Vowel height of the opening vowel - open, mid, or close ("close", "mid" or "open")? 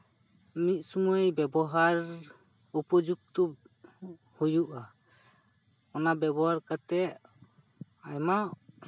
close